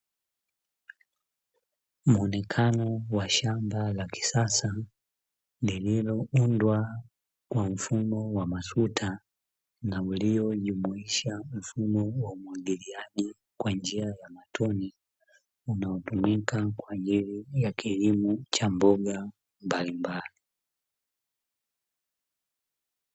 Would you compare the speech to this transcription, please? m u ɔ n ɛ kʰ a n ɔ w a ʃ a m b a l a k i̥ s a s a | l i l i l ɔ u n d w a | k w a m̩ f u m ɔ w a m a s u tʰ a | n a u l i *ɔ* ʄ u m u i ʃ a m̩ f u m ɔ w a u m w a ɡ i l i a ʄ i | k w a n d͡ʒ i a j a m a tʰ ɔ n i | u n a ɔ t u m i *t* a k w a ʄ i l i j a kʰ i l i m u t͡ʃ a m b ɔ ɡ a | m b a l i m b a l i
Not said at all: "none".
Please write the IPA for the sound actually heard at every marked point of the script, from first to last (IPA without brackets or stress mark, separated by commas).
ɔ, k